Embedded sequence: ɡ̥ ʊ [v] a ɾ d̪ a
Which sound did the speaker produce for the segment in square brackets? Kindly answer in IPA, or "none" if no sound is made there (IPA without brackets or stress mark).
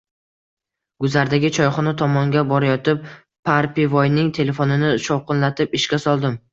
z